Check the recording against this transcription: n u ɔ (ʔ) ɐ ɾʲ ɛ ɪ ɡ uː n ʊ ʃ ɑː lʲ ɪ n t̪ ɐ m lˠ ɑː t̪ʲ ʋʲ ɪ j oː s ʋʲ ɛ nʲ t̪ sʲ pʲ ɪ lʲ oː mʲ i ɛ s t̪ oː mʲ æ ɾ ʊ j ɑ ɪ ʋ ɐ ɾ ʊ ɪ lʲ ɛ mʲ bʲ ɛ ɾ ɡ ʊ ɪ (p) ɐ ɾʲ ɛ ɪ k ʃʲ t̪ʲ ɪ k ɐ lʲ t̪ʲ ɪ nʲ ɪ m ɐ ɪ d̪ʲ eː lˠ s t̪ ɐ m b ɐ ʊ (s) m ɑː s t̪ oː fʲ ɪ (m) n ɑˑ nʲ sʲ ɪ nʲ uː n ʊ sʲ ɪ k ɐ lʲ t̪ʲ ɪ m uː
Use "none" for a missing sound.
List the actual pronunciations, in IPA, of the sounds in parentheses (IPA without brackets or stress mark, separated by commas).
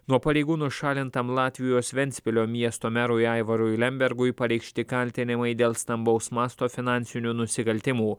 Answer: p, p, s, none